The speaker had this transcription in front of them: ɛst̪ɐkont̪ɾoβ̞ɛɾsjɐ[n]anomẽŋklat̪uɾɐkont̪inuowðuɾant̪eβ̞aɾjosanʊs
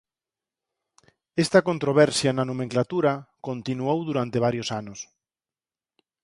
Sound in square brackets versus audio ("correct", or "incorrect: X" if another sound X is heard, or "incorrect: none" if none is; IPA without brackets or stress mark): correct